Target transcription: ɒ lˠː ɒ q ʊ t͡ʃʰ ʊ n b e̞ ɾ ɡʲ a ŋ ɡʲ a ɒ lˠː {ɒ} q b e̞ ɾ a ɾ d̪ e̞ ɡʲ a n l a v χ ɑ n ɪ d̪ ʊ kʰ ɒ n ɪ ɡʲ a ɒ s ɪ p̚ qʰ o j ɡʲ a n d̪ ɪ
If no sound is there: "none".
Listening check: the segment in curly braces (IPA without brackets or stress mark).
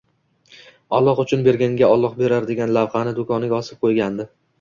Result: ɒ